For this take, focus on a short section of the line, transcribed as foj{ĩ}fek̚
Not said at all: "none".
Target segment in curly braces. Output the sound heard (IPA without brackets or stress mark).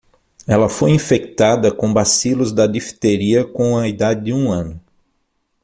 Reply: ĩ